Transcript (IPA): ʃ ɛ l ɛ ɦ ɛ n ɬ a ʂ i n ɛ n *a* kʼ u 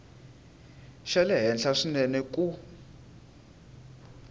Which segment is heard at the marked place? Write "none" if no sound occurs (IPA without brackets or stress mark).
ɛ